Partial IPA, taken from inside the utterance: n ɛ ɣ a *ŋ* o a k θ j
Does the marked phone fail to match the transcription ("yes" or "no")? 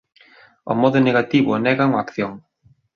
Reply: no